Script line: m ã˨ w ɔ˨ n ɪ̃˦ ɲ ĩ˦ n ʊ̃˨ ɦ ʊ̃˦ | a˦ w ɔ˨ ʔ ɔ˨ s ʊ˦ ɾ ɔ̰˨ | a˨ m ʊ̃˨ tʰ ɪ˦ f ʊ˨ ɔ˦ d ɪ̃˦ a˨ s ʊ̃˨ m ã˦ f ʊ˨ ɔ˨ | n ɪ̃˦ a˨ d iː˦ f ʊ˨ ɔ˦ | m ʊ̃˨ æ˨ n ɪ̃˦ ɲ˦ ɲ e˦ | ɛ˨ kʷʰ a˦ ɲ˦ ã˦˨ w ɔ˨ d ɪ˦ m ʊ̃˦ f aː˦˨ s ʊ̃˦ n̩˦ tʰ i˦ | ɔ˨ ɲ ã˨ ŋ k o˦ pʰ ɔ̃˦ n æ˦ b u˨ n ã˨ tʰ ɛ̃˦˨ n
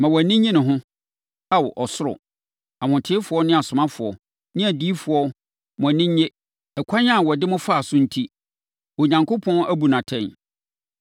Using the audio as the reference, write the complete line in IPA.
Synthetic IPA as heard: m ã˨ w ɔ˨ n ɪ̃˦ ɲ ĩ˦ n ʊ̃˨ ɦ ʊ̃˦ | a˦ w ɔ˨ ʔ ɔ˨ s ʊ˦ ɾ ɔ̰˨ | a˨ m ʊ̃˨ tʰ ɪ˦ f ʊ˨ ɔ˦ n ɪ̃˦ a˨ s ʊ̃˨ m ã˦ f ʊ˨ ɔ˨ | n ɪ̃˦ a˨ d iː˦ f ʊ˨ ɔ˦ | m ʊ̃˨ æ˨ n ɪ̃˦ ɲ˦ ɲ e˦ | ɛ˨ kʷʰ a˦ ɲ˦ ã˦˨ w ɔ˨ d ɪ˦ m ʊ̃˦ f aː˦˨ s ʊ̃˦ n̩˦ tʰ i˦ | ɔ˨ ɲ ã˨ ŋ k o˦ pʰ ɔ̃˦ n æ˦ b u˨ n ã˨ tʰ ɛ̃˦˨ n